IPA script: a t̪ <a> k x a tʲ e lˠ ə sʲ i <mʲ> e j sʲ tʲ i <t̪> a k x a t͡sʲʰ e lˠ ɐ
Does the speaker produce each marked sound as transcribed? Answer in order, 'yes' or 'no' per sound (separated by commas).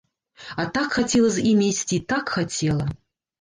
yes, yes, yes